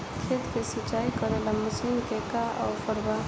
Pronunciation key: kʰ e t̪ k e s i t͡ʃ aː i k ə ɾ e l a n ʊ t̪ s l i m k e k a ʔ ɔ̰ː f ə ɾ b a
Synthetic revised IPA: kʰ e t̪ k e s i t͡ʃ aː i k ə ɾ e l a m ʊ s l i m k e k a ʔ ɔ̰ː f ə ɾ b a